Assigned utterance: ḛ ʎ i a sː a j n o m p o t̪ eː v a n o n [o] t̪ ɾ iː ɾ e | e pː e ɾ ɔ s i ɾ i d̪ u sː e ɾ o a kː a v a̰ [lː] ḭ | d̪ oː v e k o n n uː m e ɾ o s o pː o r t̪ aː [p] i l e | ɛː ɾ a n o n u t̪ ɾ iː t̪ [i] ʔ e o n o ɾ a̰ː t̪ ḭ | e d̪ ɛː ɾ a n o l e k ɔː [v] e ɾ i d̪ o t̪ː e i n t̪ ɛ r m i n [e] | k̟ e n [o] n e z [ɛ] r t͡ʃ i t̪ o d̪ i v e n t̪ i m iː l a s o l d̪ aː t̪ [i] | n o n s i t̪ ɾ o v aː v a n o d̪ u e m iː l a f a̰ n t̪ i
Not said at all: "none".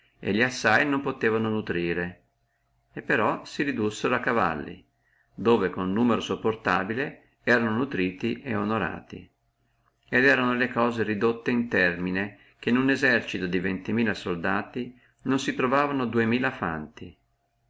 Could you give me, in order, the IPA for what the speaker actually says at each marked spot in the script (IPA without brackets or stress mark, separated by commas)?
u, lː, b, i, z, e, u, ɛ, i